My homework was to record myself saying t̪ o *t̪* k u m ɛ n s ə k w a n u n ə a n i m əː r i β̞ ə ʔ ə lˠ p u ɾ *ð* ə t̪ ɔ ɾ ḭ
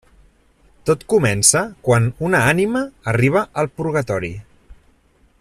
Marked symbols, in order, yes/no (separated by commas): yes, no